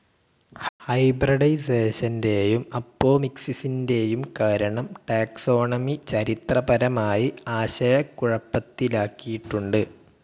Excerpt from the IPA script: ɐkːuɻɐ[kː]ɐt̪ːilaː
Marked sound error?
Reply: yes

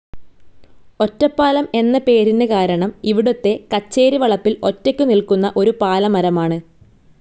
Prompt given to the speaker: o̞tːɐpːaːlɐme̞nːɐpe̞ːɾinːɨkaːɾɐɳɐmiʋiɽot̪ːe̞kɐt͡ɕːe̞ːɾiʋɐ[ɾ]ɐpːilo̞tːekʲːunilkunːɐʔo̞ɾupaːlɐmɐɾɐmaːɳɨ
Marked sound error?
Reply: yes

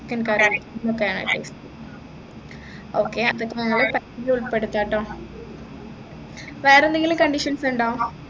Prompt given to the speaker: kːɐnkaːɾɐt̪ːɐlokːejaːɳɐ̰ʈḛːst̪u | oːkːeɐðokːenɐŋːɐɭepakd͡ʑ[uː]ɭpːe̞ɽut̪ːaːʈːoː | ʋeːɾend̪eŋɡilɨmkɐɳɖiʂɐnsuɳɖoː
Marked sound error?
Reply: yes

